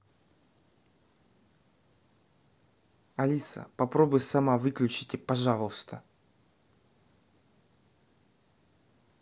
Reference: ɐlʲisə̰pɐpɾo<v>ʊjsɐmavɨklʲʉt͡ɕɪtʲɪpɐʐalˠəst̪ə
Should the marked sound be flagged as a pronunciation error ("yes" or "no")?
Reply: yes